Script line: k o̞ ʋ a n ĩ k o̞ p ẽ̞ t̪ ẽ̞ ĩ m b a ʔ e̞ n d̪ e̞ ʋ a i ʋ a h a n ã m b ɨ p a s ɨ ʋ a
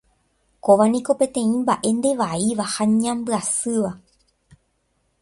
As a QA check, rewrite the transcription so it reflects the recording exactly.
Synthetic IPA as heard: k o̞ ʋ a n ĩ k o̞ p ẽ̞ t̪ ẽ̞ ĩ m b a ʔ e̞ n d̪ e̞ ʋ a i ʋ a h a ɲ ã m b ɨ a s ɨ ʋ a